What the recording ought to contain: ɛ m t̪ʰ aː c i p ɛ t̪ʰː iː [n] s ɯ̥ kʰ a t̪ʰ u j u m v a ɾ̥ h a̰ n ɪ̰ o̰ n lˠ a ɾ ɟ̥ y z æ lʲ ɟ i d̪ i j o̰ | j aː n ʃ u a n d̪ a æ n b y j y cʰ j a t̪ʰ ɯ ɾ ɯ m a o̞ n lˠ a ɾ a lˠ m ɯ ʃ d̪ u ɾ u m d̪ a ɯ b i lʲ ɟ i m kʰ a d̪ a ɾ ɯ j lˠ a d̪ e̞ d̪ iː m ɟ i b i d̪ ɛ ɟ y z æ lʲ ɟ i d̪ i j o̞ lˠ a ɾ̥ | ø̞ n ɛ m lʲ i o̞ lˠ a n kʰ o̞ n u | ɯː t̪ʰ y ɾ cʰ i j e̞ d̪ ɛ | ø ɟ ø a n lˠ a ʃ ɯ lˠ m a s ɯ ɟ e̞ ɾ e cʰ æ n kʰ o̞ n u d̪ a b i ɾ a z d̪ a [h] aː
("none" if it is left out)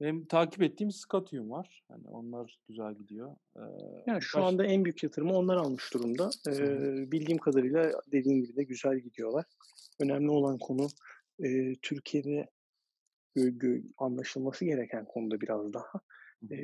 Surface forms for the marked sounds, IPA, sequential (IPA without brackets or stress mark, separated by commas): m, h